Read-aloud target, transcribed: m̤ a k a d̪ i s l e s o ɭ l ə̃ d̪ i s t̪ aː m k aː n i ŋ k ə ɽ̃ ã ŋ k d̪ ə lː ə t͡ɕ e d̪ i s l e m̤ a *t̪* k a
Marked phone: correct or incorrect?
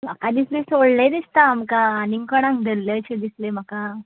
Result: incorrect